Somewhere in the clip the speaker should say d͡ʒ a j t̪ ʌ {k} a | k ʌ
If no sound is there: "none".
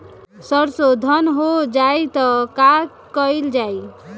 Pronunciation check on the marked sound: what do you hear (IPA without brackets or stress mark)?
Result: k